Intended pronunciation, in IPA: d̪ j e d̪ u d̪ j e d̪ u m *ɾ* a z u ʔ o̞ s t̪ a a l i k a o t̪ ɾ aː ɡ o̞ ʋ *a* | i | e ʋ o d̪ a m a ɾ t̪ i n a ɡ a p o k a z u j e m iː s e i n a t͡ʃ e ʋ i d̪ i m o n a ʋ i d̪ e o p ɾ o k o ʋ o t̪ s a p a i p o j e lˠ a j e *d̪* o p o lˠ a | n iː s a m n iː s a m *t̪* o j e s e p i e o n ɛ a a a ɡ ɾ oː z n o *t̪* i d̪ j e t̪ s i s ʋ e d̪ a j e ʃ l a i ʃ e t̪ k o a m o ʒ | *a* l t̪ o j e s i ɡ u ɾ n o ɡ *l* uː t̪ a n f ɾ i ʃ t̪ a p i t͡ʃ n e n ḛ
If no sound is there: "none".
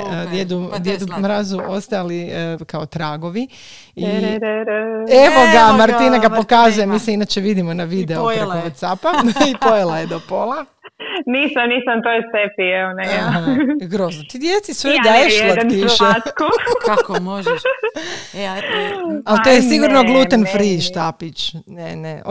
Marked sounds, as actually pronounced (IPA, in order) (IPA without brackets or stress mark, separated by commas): ɾ, i, d̪, t̪, t̪, a, l